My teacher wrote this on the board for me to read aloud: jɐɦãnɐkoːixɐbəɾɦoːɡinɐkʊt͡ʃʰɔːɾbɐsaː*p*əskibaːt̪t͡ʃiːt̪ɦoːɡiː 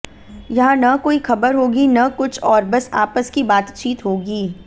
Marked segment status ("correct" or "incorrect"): correct